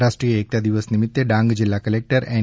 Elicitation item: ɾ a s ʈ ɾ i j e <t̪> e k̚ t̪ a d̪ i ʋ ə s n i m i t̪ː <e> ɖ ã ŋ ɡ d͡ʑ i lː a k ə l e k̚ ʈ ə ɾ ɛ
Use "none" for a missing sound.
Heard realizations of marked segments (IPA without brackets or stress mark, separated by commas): none, e